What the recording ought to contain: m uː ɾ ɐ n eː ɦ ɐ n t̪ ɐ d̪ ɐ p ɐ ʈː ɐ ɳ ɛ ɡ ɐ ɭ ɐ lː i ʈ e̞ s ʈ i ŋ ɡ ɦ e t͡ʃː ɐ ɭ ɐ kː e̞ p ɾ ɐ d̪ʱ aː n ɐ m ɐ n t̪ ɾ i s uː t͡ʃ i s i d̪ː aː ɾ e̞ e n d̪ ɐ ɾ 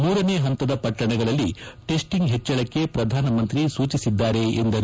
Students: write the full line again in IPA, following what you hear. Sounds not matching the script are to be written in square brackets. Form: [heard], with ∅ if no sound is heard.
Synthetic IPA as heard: m uː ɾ ɐ n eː ɦ ɐ n t̪ ɐ d̪ ɐ p ɐ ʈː ɐ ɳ ɛ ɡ ɐ ɭ ɐ lː i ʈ e̞ s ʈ i ŋ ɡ ɦ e t͡ʃː ɐ ɭ ɐ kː e̞ p ɾ ɐ d̪ʱ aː n ɐ m ɐ n t̪ ɾ i s uː t͡ʃ i s i d̪ː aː ɾ e̞ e n d̪ ɐ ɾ